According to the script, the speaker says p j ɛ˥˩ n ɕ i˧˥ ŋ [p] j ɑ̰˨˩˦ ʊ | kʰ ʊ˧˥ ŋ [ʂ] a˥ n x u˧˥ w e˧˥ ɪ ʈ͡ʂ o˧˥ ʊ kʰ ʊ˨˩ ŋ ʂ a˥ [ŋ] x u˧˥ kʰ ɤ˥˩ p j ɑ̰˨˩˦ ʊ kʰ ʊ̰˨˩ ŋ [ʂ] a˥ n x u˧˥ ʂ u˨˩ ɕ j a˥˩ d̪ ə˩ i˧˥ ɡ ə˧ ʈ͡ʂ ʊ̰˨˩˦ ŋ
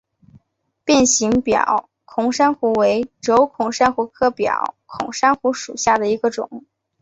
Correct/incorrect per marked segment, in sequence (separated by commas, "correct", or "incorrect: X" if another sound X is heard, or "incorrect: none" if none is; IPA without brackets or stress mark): correct, correct, incorrect: n, correct